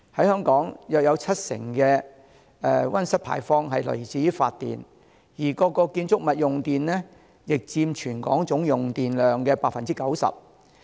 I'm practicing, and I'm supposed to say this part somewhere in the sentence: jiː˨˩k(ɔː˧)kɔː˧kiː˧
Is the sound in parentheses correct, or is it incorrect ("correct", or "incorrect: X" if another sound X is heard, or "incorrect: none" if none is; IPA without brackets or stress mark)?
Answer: correct